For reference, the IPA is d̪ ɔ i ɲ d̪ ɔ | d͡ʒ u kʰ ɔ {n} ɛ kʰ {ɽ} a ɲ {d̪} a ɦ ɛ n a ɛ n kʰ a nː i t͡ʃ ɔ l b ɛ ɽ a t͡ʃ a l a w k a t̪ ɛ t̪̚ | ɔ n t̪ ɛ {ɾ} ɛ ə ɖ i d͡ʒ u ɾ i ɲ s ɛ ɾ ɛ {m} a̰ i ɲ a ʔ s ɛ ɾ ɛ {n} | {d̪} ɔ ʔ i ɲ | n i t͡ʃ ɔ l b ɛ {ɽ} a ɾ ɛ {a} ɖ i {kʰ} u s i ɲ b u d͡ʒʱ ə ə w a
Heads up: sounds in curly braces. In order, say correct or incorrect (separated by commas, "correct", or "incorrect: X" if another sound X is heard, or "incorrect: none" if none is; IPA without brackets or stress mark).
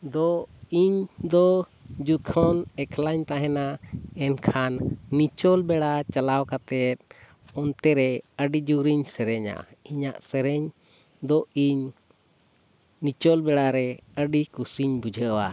correct, incorrect: l, incorrect: t̪, correct, incorrect: ɲ, incorrect: ɲ, correct, correct, incorrect: ə, incorrect: k